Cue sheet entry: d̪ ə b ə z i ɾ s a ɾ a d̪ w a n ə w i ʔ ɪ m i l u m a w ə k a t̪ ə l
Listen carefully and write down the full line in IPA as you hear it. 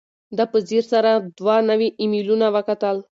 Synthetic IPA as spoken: d̪ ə p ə z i ɾ s a ɾ a d̪ w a n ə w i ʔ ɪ m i l u n a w ə k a t̪ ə l